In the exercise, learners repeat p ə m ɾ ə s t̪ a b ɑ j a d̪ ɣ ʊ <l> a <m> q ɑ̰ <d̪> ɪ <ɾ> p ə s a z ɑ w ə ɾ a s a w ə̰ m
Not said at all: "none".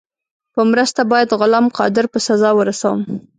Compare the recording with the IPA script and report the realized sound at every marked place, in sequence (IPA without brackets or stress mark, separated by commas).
l, m, d̪, ɾ